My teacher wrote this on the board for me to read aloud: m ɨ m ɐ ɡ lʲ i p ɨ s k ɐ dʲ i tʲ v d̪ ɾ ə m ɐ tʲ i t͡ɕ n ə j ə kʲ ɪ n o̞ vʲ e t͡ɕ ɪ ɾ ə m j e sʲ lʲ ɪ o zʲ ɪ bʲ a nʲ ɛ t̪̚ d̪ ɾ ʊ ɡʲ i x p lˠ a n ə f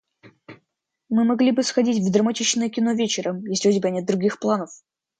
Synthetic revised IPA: m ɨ m ɐ ɡ lʲ i b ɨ s x ɐ dʲ i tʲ v d̪ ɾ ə m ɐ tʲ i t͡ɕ n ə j ə kʲ ɪ n o̞ vʲ e t͡ɕ ɪ ɾ ə m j e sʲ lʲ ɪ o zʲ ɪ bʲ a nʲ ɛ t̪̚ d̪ ɾ ʊ ɡʲ i x p lˠ a n ə f